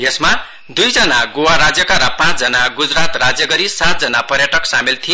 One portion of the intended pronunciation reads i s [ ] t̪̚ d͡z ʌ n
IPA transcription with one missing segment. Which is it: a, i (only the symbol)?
a